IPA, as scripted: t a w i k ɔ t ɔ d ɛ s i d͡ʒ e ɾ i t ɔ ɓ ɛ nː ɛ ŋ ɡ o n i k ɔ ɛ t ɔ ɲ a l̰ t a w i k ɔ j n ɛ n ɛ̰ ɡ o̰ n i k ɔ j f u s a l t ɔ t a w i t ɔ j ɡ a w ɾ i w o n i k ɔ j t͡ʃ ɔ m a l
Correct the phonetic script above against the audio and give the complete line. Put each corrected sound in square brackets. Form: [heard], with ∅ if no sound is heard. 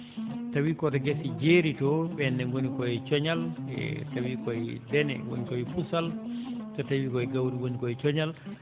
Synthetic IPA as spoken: t a w i k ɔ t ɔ [ɡ] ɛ s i d͡ʒ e ɾ i t ɔ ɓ ɛ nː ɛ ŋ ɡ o n i k ɔ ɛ [t͡ʃ] ɔ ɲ a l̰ t a w i k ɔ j [d] ɛ n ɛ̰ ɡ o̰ n i k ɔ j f u s a l t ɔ t a w i [k] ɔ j ɡ a w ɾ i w o n i k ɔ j t͡ʃ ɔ [ɲ] a l